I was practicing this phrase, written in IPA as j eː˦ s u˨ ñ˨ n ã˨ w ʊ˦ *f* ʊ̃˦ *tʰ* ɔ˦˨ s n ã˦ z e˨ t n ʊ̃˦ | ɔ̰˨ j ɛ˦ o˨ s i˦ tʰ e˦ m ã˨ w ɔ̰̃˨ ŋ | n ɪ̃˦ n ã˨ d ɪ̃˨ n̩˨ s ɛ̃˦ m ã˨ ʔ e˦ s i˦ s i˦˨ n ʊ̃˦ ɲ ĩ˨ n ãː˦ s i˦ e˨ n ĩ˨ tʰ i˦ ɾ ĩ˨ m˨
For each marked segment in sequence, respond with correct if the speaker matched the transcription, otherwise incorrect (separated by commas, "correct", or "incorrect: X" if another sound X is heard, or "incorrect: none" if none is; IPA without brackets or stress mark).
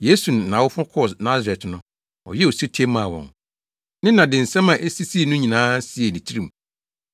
correct, incorrect: kʰ